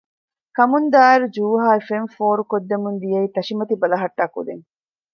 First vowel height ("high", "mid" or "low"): low